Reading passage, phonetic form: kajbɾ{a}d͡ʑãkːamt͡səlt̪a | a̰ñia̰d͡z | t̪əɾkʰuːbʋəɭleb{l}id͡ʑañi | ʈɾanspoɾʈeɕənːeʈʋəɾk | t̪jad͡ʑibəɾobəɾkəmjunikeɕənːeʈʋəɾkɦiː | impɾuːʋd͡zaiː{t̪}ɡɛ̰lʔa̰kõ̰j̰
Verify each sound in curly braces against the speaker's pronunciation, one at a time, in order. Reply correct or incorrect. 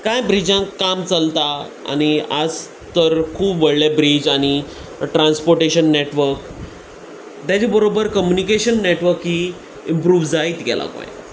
incorrect: i, incorrect: ɾ, correct

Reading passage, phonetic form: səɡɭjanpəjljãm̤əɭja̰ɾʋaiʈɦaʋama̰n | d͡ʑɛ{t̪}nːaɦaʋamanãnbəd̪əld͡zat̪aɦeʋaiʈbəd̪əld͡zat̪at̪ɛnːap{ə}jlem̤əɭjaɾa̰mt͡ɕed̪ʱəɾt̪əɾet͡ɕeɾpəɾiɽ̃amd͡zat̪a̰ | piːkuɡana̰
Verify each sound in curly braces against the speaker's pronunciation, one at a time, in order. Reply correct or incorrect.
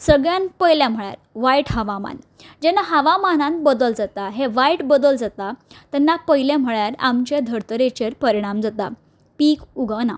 incorrect: none, correct

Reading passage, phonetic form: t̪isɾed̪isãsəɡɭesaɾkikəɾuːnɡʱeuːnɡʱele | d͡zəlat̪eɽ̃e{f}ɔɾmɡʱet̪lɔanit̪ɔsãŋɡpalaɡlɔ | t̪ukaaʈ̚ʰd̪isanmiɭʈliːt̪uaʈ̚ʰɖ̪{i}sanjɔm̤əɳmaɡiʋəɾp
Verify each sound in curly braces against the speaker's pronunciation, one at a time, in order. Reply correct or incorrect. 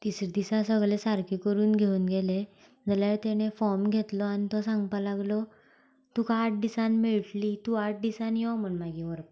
correct, correct

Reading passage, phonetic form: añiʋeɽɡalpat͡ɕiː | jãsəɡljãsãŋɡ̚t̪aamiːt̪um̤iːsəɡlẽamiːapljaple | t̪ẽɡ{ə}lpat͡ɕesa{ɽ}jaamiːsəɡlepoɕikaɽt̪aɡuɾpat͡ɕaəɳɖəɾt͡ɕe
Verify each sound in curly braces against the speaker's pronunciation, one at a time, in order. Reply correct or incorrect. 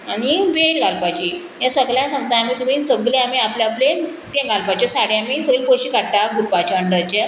incorrect: a, correct

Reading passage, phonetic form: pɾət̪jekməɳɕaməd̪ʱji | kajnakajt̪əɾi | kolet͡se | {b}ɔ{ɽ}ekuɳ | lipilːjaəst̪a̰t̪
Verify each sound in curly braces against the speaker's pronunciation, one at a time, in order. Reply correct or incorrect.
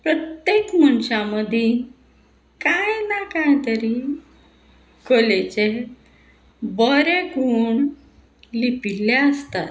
correct, incorrect: ɾ

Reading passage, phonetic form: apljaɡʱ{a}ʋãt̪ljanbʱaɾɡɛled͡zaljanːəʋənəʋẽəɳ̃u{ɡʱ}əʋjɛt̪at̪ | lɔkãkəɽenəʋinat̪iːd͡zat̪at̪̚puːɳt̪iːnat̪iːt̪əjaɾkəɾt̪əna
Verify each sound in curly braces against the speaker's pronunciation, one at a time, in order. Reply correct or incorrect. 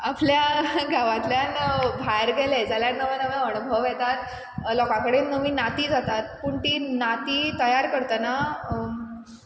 correct, incorrect: bʱ

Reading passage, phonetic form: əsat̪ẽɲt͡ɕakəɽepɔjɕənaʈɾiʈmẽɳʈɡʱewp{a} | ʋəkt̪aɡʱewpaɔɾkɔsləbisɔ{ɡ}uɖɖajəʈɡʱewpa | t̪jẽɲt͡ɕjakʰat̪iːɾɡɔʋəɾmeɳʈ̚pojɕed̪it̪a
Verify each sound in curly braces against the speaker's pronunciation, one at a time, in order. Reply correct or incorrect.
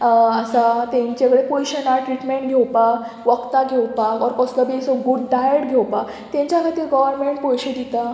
correct, correct

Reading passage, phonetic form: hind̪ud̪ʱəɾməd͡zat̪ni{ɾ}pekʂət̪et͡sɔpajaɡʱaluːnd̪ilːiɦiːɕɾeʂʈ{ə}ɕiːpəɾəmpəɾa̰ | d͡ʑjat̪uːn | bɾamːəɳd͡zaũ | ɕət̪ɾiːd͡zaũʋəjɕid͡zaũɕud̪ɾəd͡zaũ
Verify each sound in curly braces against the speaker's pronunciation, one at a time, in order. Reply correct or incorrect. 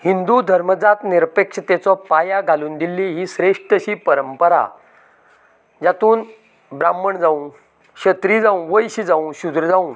correct, correct

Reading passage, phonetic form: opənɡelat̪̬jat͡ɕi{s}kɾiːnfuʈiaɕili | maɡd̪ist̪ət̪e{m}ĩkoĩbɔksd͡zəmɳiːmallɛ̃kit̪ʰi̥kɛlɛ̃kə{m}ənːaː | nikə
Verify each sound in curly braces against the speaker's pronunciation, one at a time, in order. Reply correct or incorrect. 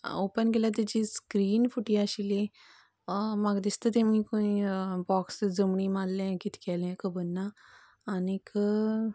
correct, correct, incorrect: b

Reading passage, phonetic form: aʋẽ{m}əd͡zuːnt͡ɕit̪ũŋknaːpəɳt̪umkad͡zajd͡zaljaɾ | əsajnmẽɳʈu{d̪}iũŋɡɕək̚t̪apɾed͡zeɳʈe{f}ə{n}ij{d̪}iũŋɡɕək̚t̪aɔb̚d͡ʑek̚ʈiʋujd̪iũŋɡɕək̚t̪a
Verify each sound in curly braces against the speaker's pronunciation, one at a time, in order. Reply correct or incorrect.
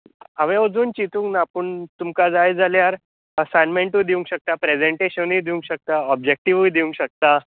incorrect: none, correct, incorrect: ɕ, correct, correct

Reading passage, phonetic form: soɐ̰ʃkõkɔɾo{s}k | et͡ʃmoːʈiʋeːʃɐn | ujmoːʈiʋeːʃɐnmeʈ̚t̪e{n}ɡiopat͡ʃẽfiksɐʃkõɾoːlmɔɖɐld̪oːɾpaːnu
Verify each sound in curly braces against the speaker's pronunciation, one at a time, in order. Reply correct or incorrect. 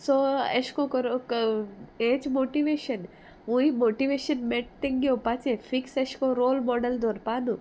incorrect: none, incorrect: ŋ

